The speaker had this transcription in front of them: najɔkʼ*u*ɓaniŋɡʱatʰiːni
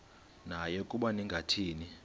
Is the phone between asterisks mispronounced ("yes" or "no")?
no